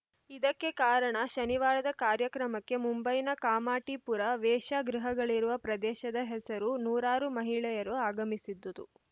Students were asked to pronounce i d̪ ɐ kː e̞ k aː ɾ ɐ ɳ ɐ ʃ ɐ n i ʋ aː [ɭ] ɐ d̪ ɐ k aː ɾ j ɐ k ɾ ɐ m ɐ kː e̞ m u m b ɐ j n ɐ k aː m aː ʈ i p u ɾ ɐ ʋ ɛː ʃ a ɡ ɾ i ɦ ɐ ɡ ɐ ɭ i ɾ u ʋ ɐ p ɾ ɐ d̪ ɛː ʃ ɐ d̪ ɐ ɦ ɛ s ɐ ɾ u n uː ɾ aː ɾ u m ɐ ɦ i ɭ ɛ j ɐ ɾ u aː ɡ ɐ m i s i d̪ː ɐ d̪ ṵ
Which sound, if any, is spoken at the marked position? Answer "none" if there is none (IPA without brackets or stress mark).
ɾ